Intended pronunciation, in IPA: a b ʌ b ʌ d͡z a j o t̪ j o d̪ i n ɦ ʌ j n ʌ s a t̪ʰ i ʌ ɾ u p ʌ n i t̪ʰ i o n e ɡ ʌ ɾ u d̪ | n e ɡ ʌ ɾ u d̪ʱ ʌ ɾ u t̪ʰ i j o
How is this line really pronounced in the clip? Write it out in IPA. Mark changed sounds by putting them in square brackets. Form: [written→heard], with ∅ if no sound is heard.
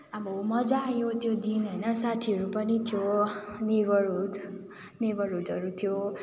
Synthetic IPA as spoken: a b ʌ [b→m] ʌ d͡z a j o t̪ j o d̪ i n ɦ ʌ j n ʌ s a t̪ʰ i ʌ ɾ u p ʌ n i t̪ʰ [i→j] o n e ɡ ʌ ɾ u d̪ | n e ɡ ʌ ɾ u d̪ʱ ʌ ɾ u t̪ʰ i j o